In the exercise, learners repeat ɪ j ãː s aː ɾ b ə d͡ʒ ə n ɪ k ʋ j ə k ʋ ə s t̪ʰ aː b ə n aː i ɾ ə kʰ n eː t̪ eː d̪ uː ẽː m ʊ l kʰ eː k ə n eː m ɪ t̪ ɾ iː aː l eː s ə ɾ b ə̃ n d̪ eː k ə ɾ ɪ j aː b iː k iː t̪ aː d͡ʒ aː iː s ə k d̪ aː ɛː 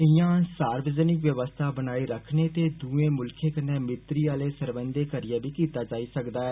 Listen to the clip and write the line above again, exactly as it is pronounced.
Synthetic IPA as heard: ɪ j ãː s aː ɾ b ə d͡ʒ ə n ɪ k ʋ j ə ʋ ə s t̪ʰ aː b ə n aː i ɾ ə kʰ n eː t̪ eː d̪ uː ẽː m ʊ l kʰ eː k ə n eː m ɪ t̪ ɾ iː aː l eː s ə ɾ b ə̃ n d̪ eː k ə ɾ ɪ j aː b iː k iː t̪ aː d͡ʒ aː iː s ə k d̪ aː ɛː